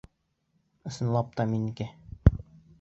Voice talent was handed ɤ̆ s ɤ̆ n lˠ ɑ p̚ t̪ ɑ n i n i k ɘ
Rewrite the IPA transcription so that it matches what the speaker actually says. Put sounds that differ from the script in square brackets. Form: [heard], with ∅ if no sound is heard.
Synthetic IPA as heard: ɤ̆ s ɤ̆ n lˠ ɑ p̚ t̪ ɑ [m] i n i k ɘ